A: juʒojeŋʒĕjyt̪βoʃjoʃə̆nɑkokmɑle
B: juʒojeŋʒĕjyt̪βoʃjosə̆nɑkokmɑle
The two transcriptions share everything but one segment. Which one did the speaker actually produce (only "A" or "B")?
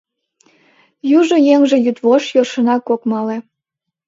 A